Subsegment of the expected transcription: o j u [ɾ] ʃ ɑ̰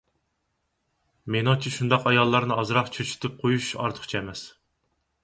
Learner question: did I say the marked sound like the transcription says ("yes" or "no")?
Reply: no